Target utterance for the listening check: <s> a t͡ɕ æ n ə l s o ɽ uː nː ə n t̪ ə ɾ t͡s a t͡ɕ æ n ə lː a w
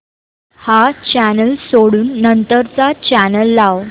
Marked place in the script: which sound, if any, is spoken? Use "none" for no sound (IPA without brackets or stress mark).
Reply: h